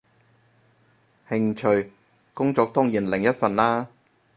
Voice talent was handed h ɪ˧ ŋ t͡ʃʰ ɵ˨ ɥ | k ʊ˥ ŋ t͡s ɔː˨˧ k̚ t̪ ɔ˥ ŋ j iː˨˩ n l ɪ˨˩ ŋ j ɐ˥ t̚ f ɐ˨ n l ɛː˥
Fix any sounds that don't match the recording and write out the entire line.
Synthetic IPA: h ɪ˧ ŋ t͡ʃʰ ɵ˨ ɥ | k ʊ˥ ŋ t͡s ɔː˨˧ k̚ t̪ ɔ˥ ŋ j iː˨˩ n l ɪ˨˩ ŋ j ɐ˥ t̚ f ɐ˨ n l aː˥